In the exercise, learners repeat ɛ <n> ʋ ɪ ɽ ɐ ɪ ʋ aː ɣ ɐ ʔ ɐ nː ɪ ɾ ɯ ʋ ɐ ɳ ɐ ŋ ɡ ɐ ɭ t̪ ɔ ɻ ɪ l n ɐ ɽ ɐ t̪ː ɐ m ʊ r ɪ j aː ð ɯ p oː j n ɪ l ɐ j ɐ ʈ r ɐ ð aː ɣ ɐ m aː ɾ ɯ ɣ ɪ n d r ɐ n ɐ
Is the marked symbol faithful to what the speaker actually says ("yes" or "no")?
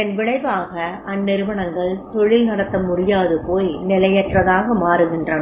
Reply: yes